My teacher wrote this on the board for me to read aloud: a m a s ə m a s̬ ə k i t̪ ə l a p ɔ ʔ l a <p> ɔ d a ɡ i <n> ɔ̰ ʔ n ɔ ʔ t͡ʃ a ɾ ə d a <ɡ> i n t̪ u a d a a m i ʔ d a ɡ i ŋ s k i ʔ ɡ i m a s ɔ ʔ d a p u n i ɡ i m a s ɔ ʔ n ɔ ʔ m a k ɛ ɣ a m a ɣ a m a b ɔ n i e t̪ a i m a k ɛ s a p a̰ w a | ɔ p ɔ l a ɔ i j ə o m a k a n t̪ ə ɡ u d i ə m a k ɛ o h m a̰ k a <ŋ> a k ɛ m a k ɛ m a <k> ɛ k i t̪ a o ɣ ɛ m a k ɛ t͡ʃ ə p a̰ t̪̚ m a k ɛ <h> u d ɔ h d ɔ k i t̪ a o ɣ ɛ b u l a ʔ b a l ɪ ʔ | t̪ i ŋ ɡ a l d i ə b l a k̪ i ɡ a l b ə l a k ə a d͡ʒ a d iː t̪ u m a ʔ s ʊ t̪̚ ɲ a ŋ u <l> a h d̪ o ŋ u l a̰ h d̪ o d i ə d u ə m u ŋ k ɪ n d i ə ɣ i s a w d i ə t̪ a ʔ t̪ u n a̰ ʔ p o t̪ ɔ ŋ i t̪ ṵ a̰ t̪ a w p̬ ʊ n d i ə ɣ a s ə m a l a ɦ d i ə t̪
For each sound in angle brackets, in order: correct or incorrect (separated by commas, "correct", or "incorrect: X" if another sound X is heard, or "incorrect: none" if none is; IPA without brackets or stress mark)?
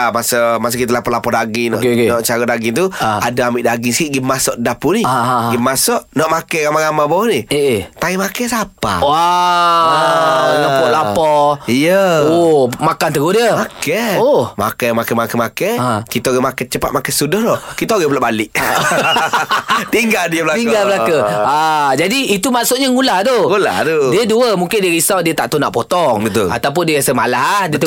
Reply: correct, correct, correct, incorrect: m, correct, incorrect: s, correct